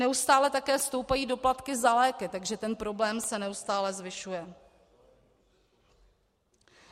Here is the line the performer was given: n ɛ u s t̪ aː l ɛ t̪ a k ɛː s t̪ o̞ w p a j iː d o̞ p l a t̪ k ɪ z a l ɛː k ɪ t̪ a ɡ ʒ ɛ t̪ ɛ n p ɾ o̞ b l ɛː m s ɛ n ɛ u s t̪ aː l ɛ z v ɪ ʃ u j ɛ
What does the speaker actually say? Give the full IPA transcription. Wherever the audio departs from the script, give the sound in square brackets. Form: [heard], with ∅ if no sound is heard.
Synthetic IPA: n ɛ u s t̪ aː l ɛ t̪ a k ɛː s t̪ o̞ w p a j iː d o̞ p l a t̪ k ɪ z a l ɛː k ɪ t̪ a ɡ ʒ ɛ t̪ ɛ n p ɾ o̞ b l ɛː m s ɛ n ɛ u s t̪ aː l ɛ z v ɪ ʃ u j ɛ